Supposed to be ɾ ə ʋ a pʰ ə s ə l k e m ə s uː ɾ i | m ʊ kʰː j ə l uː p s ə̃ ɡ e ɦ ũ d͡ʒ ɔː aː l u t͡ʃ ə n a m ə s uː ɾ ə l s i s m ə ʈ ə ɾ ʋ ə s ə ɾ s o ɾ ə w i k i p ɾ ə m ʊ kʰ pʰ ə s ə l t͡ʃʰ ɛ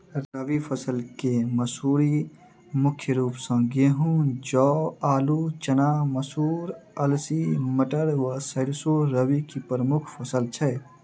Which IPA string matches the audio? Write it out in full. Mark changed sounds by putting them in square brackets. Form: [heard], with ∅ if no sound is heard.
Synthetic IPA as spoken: ɾ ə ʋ [i] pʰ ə s ə l k e m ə s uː ɾ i | m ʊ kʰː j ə [ɾ] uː p s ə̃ ɡ e ɦ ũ d͡ʒ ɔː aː l u t͡ʃ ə n a m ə s uː ɾ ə l s i [∅] m ə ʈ ə ɾ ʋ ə s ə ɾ s o ɾ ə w i k i p ɾ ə m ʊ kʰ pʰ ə s ə l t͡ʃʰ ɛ